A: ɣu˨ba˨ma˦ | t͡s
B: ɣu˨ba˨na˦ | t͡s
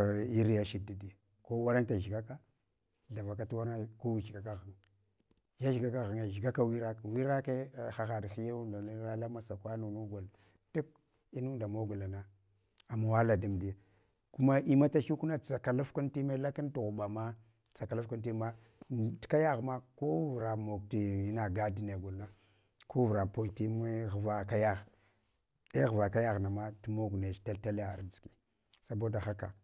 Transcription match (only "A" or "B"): A